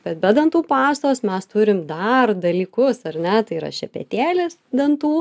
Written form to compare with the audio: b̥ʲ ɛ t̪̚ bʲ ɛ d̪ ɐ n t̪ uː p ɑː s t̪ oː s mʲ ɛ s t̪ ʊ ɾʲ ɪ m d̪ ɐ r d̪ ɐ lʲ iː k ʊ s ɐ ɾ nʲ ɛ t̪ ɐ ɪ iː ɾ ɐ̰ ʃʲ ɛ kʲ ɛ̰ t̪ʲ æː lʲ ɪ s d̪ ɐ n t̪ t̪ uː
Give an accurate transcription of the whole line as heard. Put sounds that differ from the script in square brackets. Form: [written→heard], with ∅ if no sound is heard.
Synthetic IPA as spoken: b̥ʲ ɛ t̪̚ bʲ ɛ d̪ ɐ n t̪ uː p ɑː s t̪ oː s mʲ ɛ s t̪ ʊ ɾʲ ɪ m d̪ ɐ r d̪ ɐ lʲ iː k ʊ s ɐ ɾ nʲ ɛ t̪ ɐ ɪ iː ɾ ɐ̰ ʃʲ ɛ [kʲ→pʲ] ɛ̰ t̪ʲ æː lʲ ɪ s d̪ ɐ n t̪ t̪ uː